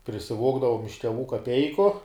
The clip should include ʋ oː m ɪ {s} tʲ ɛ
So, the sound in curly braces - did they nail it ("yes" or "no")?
no